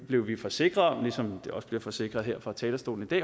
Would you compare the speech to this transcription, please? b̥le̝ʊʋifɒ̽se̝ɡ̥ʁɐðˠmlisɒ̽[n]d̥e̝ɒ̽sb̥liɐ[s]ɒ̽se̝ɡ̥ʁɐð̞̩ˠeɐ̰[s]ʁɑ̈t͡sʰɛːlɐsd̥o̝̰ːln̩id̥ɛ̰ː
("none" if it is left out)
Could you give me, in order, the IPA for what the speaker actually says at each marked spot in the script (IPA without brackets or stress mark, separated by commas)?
m, f, f